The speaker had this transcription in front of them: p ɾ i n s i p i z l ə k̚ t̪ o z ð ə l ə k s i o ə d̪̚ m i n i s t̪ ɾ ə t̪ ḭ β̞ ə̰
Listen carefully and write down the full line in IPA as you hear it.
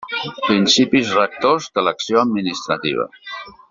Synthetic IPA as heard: p ɾ i n s i p i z r ə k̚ t̪ o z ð ə l ə k s i o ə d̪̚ m i n i s t̪ ɾ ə t̪ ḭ β̞ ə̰